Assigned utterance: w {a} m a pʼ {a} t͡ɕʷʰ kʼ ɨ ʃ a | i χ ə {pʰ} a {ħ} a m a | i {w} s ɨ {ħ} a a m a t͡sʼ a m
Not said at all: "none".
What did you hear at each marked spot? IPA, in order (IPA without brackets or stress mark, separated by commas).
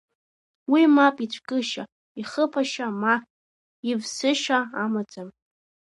i, i, pʰ, ʃ, v, ʃ